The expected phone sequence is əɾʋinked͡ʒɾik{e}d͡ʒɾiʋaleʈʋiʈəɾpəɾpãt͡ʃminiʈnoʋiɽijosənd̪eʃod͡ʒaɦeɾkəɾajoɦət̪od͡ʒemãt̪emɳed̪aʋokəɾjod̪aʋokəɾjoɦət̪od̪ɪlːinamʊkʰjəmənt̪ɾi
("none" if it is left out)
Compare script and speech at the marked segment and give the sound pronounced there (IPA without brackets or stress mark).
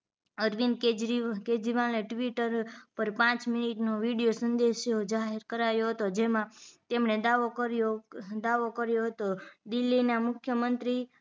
e